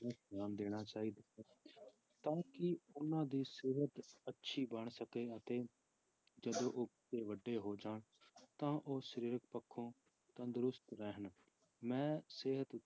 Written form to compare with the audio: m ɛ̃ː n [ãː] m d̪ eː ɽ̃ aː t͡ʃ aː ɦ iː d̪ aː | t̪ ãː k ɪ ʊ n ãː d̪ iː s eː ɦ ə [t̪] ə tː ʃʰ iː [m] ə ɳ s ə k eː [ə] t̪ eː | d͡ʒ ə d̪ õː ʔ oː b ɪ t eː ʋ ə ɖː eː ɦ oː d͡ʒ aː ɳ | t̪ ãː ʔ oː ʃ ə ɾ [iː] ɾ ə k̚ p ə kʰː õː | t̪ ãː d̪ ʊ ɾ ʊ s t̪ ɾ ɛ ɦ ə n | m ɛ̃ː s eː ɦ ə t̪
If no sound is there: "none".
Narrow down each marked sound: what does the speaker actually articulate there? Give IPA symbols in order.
aː, t̪, b, ə, iː

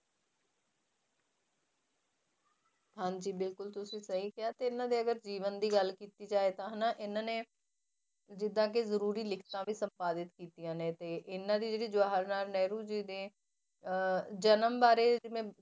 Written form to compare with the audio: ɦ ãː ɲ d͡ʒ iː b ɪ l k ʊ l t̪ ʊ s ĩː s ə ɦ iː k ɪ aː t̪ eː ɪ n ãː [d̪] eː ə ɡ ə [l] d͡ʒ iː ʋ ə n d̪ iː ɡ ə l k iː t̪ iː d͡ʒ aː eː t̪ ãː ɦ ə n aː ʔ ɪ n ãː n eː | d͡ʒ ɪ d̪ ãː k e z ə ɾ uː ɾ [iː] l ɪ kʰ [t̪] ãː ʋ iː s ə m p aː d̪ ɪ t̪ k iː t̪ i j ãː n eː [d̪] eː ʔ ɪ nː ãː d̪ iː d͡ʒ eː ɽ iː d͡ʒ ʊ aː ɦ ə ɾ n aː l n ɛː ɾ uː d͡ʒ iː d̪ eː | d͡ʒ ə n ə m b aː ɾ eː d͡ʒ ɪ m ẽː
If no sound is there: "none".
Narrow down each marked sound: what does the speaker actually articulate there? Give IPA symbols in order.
d̪, ɾ, iː, t̪, t̪

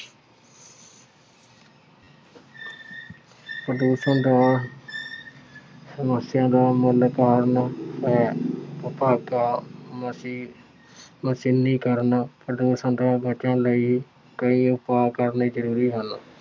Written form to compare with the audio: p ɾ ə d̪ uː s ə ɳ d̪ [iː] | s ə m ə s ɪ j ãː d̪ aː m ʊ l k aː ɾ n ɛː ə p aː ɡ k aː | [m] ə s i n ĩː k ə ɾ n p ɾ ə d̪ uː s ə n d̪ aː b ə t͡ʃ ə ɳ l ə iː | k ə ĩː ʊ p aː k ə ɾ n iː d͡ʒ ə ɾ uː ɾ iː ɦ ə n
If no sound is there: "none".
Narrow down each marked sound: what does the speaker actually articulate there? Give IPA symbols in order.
aː, m

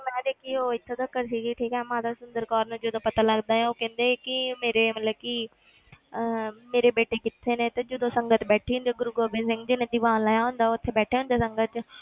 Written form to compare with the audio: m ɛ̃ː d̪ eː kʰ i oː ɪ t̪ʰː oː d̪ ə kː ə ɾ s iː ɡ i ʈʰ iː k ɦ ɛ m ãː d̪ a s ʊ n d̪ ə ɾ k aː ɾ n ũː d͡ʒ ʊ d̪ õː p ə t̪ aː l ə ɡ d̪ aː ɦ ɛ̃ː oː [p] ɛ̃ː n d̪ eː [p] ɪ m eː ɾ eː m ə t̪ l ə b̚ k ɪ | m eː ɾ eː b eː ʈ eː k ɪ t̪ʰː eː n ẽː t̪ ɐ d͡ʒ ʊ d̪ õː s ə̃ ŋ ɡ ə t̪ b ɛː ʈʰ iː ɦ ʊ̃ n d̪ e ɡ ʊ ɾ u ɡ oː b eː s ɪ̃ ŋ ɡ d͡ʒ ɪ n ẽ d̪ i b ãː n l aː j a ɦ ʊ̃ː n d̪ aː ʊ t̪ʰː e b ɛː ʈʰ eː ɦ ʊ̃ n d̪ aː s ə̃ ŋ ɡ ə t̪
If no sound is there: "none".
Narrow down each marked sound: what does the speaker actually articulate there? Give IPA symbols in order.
k, k

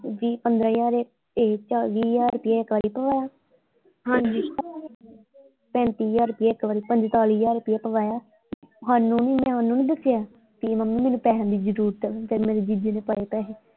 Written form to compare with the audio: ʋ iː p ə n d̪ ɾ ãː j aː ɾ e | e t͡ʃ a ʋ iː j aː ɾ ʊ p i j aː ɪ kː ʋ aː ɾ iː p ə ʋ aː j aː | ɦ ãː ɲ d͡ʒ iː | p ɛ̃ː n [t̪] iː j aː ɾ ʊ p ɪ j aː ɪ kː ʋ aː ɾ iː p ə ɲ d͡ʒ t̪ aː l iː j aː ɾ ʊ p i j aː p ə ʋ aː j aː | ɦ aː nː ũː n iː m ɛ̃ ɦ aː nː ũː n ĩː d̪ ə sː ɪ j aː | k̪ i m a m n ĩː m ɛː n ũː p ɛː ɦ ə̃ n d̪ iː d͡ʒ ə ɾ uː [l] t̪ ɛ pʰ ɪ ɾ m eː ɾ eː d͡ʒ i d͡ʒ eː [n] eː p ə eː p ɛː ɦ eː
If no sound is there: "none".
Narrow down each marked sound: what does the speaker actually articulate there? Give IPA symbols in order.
t̪, ɾ, n

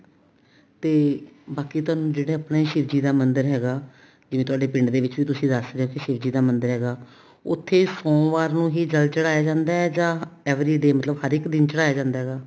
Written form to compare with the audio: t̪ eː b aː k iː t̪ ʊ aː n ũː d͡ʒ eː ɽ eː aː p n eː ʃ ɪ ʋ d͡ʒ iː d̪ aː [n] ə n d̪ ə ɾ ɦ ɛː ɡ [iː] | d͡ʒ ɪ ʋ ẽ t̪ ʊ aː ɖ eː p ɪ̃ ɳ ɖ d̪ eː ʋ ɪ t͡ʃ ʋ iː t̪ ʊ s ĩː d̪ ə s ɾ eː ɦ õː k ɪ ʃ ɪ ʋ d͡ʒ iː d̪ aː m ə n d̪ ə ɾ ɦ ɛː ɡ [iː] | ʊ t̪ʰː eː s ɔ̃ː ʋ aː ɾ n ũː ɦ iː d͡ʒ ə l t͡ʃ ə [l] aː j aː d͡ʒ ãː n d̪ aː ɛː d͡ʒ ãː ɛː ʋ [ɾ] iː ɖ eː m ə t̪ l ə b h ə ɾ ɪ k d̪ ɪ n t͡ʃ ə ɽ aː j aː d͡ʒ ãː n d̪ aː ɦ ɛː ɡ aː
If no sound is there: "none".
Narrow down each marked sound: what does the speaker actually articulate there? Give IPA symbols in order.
m, aː, aː, ɽ, ɾ

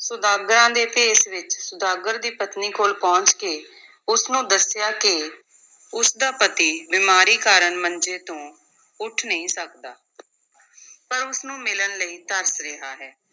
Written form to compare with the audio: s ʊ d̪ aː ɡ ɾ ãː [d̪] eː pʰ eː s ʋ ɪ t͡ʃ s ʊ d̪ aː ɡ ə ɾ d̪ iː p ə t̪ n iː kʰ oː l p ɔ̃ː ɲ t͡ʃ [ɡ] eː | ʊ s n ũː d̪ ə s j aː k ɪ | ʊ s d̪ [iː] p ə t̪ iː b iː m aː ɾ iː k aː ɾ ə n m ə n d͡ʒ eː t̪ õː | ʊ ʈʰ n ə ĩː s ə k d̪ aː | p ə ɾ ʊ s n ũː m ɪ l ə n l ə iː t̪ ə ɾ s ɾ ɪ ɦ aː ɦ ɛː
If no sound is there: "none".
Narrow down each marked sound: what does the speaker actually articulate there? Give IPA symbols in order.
d̪, k, aː

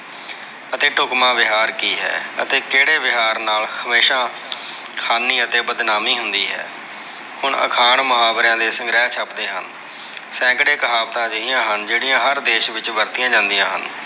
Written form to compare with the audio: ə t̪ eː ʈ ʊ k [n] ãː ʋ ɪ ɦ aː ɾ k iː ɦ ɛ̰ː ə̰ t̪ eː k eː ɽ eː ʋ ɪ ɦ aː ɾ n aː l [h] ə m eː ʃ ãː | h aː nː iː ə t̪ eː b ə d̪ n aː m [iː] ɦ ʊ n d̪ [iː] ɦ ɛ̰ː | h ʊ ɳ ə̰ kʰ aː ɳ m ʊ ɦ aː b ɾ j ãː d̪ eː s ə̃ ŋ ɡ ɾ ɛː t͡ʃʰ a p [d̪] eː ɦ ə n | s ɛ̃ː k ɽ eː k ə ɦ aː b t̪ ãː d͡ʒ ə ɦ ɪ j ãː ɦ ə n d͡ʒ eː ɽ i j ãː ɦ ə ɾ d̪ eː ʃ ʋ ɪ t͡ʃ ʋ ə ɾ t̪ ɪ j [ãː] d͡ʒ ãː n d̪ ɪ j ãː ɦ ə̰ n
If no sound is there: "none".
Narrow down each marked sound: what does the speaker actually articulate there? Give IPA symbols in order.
m, h, iː, iː, d̪, ãː

